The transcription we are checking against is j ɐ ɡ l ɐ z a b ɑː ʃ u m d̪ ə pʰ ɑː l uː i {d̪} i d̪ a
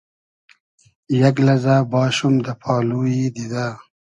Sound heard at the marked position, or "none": d̪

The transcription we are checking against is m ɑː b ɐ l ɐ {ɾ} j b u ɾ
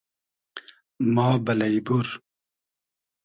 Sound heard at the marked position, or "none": none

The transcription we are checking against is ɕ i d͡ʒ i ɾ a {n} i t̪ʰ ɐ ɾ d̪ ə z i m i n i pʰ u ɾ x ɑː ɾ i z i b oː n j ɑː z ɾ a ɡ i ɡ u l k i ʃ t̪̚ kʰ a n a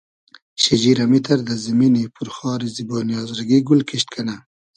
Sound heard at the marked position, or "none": m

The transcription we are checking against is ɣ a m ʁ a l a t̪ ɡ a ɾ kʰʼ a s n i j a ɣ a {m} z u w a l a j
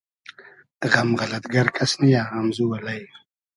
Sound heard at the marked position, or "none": m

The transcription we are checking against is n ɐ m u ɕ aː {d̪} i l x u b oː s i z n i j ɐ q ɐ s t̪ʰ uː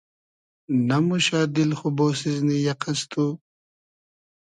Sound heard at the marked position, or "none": d̪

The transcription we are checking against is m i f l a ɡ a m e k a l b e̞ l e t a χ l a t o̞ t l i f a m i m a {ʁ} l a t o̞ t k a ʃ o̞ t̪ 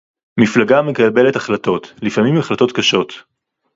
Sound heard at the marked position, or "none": χ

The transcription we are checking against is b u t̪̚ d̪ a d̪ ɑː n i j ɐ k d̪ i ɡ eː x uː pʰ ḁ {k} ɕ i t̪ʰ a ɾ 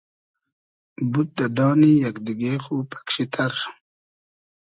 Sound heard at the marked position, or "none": k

